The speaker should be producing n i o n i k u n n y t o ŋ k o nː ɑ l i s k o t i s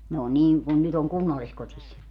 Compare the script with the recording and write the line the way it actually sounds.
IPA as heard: n e o n iː k u n n y t o ŋ k u nː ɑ lː i s k o t i s